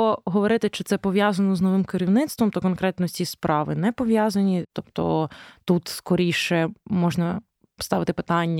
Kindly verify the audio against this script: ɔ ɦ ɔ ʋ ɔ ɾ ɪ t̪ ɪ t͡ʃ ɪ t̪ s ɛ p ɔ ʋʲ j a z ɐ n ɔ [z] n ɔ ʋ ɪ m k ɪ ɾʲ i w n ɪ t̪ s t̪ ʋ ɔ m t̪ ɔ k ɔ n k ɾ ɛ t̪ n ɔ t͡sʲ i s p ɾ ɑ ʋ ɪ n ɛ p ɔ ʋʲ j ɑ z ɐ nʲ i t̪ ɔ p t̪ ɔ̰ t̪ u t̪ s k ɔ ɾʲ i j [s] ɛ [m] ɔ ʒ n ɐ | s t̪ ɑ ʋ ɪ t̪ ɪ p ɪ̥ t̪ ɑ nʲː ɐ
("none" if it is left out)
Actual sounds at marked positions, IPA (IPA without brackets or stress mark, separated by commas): z, ʃ, m